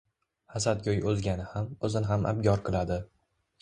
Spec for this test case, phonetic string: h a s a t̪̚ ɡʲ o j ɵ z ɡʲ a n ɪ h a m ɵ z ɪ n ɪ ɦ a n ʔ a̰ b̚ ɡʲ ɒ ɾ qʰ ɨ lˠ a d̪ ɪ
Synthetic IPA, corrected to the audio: h a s a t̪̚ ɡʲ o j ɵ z ɡʲ a n ɪ h a m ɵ z ɪ n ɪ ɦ a m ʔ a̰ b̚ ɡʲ ɒ ɾ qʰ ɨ lˠ a d̪ ɪ